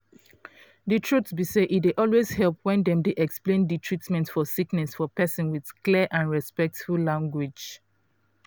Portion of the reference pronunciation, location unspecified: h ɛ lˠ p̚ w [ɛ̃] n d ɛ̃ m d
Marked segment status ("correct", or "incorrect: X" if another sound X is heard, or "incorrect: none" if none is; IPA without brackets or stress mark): correct